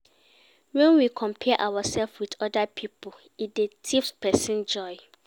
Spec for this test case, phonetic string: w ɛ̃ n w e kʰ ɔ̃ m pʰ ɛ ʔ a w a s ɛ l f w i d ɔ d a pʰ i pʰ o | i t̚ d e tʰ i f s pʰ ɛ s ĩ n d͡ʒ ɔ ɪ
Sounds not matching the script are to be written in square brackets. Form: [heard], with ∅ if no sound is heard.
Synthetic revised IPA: w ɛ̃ n w [i] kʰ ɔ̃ m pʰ ɛ ʔ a w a s ɛ l f w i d ɔ d a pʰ i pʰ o | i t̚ d e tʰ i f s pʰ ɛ s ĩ n d͡ʒ ɔ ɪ